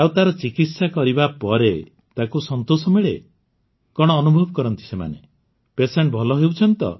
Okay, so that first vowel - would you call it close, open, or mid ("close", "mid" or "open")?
open